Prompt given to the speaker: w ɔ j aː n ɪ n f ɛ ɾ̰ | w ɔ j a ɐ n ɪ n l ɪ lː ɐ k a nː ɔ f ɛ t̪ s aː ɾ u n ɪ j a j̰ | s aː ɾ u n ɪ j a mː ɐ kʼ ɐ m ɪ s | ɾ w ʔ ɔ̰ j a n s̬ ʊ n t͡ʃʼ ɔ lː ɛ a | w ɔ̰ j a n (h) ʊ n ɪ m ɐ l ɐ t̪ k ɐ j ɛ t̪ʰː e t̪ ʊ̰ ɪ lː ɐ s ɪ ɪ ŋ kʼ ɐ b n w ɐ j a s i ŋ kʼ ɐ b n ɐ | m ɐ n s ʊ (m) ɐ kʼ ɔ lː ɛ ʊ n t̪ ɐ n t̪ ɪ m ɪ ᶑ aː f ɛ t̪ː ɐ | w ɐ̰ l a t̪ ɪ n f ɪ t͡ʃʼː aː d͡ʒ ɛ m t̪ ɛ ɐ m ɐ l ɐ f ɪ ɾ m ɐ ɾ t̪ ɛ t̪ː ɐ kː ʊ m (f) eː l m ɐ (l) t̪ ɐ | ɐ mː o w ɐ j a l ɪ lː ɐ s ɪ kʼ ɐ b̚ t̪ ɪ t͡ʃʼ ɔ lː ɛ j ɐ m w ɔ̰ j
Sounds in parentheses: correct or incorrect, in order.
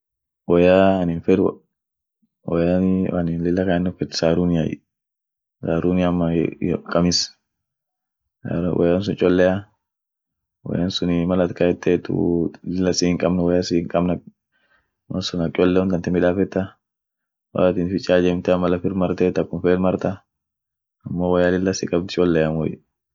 incorrect, incorrect, correct, incorrect

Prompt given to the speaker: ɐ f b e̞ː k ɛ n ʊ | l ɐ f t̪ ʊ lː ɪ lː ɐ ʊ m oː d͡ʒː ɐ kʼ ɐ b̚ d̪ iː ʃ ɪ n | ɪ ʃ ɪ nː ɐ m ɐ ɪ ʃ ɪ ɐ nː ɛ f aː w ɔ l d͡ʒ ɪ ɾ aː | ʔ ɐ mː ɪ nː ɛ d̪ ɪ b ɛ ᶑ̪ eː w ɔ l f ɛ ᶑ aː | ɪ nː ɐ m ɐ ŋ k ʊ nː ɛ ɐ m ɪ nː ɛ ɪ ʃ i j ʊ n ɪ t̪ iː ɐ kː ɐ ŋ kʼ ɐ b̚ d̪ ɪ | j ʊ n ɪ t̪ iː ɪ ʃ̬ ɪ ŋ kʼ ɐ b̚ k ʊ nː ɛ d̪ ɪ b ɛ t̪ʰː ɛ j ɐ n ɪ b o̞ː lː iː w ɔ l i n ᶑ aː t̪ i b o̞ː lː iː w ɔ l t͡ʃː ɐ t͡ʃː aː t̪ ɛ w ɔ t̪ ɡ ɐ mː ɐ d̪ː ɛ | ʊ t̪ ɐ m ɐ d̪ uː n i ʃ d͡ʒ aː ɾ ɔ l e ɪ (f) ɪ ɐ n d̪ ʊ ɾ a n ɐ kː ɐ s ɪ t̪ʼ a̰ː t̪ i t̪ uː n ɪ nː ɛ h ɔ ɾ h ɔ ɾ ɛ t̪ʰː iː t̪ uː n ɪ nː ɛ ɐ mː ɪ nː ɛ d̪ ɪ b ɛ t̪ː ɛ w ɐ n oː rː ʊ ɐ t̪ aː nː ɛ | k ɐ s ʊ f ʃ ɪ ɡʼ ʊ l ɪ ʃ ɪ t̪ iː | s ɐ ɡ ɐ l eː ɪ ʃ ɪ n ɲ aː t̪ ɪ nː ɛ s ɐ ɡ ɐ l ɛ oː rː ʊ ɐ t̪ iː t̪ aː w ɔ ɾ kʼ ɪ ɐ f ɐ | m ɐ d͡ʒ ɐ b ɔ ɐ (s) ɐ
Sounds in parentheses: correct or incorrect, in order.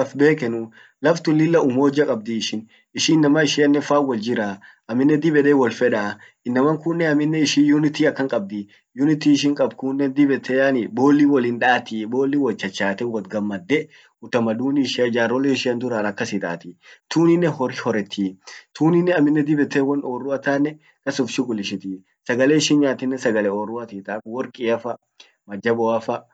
incorrect, incorrect

